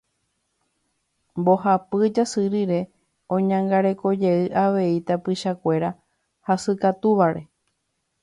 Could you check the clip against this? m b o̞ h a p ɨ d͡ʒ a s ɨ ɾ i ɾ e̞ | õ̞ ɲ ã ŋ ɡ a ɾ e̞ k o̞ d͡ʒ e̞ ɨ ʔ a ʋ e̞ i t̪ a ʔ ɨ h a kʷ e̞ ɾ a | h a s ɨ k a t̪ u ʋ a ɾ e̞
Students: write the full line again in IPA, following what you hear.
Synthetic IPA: m b o̞ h a p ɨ d͡ʒ a s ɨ ɾ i ɾ e̞ | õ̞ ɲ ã ŋ ɡ a ɾ e̞ k o̞ d͡ʒ e̞ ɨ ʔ a ʋ e̞ i t̪ a p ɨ ʃ a kʷ e̞ ɾ a | h a s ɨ k a t̪ u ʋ a ɾ e̞